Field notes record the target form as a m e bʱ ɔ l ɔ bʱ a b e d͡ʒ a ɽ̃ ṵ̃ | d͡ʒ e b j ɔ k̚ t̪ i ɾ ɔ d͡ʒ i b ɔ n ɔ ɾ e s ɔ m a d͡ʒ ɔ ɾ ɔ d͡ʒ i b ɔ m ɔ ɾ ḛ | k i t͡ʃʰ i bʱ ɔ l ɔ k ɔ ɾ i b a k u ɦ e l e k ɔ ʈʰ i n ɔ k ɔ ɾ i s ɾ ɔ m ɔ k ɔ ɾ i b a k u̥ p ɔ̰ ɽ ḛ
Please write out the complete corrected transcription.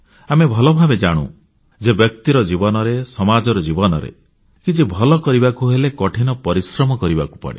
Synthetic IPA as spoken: a m e bʱ ɔ l ɔ bʱ a b e d͡ʒ a ɽ̃ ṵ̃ | d͡ʒ e b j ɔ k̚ t̪ i ɾ ɔ d͡ʒ i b ɔ n ɔ ɾ e s ɔ m a d͡ʒ ɔ ɾ ɔ d͡ʒ i b ɔ n ɔ ɾ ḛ | k i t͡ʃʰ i bʱ ɔ l ɔ k ɔ ɾ i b a k u ɦ e l e k ɔ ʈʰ i n ɔ p ɔ ɾ i s ɾ ɔ m ɔ k ɔ ɾ i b a k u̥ p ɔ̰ ɽ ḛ